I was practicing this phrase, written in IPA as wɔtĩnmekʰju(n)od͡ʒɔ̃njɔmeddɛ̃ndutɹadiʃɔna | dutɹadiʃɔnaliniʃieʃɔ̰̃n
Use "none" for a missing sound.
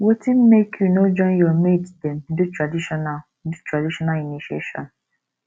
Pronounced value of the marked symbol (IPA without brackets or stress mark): n